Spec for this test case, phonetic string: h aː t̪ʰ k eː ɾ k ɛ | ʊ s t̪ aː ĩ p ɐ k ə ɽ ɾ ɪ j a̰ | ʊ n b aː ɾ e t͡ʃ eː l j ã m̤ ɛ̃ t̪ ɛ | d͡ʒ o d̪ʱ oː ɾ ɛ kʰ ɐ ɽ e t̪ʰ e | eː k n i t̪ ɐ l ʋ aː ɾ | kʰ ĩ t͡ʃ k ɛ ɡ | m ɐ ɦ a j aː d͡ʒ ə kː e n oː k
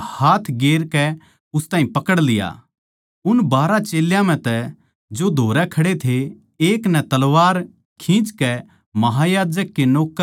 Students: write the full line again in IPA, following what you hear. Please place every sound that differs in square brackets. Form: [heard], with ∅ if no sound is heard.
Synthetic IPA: h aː t̪ʰ [ɡ] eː ɾ k ɛ | ʊ s t̪ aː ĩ p ɐ k ə ɽ [l] ɪ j a̰ | ʊ n b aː ɾ [a] t͡ʃ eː l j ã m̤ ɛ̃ t̪ ɛ | d͡ʒ o d̪ʱ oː ɾ ɛ kʰ ɐ ɽ e t̪ʰ e | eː k n [ɛ] t̪ ɐ l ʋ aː ɾ | kʰ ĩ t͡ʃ k ɛ [∅] | m ɐ ɦ a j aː d͡ʒ ə kː e n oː k